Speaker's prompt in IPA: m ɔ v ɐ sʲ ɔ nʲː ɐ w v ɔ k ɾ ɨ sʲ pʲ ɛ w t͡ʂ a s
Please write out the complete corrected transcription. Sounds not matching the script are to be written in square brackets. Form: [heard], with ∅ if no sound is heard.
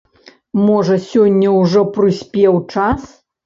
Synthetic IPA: m ɔ [ʐ] ɐ sʲ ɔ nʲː ɐ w [ʐ] ɔ [p] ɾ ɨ sʲ pʲ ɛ w t͡ʂ a s